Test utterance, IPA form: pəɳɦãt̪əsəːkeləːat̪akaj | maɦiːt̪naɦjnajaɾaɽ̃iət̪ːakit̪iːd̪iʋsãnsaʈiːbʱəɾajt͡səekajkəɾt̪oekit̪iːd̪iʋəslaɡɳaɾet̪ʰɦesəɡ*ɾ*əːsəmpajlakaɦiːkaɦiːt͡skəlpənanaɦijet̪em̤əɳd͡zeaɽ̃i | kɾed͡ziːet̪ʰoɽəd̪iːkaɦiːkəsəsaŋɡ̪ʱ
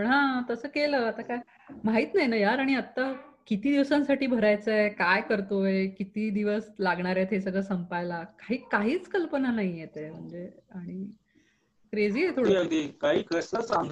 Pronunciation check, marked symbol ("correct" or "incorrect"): incorrect